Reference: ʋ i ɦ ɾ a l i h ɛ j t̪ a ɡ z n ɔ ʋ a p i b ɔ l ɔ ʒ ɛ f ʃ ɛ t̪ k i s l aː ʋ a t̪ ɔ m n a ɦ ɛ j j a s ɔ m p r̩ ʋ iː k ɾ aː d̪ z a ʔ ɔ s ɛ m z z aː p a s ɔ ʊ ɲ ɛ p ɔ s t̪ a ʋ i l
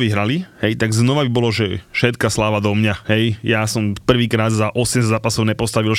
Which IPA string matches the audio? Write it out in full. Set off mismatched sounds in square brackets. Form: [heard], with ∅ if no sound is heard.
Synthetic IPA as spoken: ʋ i ɦ ɾ a l i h ɛ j t̪ a ɡ z n ɔ ʋ a [b] i b ɔ l ɔ ʒ ɛ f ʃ ɛ t̪ k [a] s l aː ʋ a [d̪] ɔ m [ɲ] a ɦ ɛ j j a s ɔ m p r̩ ʋ iː k ɾ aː d̪ z a ʔ ɔ s ɛ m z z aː p a s ɔ ʊ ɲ ɛ p ɔ s t̪ a ʋ i l